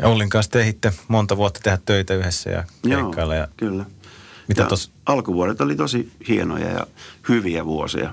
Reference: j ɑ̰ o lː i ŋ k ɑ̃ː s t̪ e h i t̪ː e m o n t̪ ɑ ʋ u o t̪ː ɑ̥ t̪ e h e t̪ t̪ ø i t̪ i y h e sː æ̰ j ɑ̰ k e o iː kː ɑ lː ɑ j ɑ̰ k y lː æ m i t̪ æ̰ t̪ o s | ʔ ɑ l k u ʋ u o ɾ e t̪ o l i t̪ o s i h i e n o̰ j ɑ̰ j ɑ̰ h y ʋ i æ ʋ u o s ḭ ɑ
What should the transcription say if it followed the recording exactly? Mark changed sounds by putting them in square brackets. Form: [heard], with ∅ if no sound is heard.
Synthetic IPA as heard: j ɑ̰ o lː i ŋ k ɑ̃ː s t̪ e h i t̪ː e m o n t̪ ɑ ʋ u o t̪ː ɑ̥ t̪ e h [æ] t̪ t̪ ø i t̪ [æ] y h e sː æ̰ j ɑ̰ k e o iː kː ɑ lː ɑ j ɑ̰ k y lː æ m i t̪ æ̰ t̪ o s | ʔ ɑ l k u ʋ u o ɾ e t̪ o l i t̪ o s i h i e n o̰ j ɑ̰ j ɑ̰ h y ʋ i æ ʋ u o s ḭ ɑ